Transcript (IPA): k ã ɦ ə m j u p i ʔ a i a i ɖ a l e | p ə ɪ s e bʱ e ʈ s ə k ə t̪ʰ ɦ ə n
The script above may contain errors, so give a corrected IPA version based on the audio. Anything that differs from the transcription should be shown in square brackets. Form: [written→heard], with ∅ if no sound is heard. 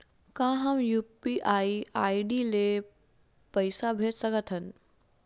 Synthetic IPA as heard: k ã ɦ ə m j u p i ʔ a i a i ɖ [a→i] l e | p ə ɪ s [e→a] bʱ e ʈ s ə k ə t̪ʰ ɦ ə n